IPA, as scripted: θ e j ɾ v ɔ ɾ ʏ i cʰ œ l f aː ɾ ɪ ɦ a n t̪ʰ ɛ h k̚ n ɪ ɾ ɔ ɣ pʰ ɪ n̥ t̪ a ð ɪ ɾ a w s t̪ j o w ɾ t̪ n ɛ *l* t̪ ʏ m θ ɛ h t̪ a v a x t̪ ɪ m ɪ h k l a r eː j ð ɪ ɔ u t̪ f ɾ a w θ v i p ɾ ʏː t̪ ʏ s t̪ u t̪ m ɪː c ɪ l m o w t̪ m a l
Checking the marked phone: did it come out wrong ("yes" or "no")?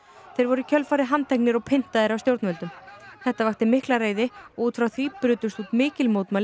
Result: no